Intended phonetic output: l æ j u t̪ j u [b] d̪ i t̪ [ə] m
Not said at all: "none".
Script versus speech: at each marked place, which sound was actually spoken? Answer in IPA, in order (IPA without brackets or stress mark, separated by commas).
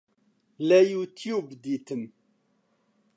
b, ə